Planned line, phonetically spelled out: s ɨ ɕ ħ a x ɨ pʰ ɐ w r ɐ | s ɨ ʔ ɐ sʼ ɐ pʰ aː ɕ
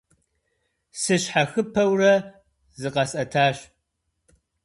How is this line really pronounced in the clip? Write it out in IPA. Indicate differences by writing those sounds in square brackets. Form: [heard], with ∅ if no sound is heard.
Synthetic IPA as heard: s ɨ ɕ ħ a x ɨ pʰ ɐ w r ɐ | [z] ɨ [q] ɐ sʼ ɐ [tʰ] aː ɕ